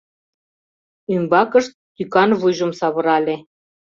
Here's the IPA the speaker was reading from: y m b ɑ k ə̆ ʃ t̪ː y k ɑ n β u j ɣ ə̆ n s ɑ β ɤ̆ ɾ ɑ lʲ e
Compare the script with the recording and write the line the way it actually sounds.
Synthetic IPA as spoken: y m b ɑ k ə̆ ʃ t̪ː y k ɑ n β u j ʒ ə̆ m s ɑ β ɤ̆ ɾ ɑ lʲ e